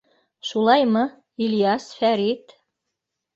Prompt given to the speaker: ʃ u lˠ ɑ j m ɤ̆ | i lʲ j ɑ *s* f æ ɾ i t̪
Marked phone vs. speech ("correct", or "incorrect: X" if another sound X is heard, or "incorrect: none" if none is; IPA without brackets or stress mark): correct